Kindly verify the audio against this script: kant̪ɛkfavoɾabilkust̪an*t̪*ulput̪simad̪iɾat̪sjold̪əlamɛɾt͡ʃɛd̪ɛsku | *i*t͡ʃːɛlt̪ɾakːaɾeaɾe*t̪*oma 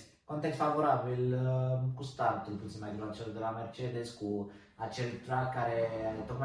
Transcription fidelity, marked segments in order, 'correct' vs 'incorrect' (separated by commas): correct, incorrect, correct